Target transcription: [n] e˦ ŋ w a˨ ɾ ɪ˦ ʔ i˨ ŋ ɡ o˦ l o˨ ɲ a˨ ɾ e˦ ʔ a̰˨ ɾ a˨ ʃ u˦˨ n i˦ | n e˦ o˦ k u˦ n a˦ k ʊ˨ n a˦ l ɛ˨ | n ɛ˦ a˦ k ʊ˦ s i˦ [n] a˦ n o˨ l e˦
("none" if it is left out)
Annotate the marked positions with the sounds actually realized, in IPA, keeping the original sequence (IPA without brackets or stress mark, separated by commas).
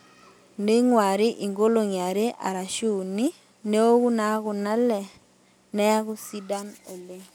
n, d